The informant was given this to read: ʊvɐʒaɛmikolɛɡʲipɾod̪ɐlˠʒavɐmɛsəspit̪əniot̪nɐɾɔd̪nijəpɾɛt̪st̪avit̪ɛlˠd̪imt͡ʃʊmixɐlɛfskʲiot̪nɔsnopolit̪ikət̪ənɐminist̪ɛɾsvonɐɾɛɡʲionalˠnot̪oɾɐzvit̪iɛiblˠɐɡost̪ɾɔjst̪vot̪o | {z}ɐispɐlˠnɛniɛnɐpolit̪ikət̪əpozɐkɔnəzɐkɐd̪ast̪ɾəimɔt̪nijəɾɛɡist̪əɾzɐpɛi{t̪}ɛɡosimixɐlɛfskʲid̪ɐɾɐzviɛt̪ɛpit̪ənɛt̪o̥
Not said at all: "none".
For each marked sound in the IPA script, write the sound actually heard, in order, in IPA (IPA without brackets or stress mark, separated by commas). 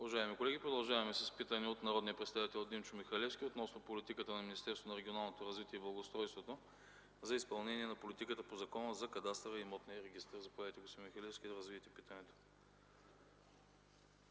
z, t̪